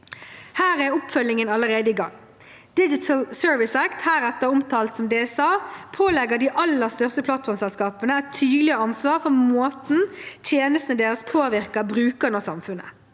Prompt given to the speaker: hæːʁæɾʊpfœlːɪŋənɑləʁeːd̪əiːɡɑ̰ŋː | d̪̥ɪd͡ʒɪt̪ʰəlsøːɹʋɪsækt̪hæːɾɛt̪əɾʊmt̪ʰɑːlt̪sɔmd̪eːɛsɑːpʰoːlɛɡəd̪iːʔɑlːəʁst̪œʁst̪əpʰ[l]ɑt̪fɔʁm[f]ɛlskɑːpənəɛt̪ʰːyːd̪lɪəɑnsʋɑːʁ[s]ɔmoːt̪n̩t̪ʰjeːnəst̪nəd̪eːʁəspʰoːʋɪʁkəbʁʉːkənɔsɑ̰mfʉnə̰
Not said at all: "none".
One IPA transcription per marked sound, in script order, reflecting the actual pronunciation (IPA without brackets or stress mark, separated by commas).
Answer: l, s, f